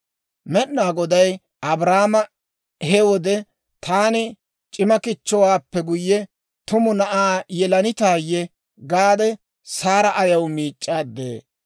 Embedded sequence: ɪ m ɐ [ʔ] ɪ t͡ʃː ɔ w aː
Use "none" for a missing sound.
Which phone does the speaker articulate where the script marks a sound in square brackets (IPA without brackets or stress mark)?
k